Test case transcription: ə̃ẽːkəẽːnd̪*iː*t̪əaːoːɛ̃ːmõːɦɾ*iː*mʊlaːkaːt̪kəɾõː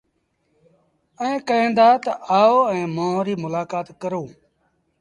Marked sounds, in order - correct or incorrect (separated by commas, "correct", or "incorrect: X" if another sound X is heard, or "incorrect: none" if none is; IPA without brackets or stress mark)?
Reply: incorrect: aː, correct